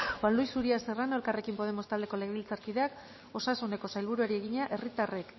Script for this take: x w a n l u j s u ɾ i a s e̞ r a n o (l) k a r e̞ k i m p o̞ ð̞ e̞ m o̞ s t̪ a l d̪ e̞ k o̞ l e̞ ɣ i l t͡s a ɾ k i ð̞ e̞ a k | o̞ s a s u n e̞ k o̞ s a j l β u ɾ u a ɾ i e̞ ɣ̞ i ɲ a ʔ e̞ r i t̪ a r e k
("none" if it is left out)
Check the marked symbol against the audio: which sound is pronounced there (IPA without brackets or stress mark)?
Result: l